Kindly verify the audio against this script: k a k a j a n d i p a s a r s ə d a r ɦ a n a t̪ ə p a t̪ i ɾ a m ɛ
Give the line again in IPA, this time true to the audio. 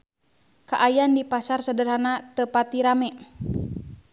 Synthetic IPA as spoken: k a ʔ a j a n d i p a s a r s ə d ə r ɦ a n a t̪ ə p a t̪ i ɾ a m ɛ